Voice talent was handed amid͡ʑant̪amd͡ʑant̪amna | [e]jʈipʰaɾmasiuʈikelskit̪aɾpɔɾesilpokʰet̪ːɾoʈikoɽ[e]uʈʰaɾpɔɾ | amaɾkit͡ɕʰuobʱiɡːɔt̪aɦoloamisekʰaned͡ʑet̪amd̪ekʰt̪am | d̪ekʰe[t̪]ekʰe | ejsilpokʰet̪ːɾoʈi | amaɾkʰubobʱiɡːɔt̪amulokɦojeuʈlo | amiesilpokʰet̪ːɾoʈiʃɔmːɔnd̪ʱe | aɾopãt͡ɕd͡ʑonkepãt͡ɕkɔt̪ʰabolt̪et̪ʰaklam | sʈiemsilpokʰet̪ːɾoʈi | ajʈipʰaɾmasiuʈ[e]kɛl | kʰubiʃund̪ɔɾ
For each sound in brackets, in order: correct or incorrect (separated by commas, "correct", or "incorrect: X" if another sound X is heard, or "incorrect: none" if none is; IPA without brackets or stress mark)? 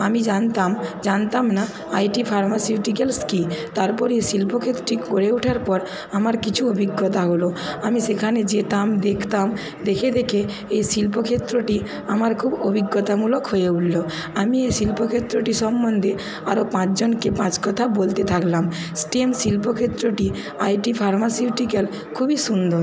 incorrect: a, correct, incorrect: d̪, incorrect: i